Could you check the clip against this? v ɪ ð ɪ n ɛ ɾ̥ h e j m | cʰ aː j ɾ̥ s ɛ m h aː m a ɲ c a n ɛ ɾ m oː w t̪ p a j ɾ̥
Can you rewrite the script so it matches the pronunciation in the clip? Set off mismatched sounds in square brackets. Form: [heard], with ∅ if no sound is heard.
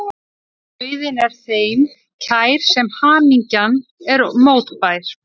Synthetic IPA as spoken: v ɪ ð ɪ n ɛ ɾ̥ [θ] e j m | cʰ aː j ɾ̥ s ɛ m h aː m [i] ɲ c a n ɛ ɾ m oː w t̪ p a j ɾ̥